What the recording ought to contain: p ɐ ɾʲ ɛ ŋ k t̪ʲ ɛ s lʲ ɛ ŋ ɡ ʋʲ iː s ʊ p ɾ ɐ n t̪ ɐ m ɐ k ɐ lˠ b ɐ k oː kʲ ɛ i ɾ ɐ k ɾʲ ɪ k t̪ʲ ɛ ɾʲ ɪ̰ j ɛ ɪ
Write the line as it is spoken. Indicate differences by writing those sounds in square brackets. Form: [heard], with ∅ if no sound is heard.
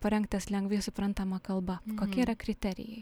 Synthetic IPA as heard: p ɐ ɾʲ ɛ ŋ k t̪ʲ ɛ s lʲ ɛ ŋ ɡ ʋʲ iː s ʊ p ɾ ɐ n t̪ ɐ m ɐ k ɐ lˠ b ɐ k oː kʲ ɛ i ɾ ɐ k ɾʲ ɪ [∅] t̪ʲ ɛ ɾʲ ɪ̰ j ɛ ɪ